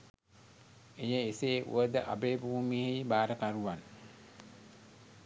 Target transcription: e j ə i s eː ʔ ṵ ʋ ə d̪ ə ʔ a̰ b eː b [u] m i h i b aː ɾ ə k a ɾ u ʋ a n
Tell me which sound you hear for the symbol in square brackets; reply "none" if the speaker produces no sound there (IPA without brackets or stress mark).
uː